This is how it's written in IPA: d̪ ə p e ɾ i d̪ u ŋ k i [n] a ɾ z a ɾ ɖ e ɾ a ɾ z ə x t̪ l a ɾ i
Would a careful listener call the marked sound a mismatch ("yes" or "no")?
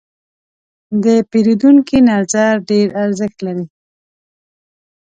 no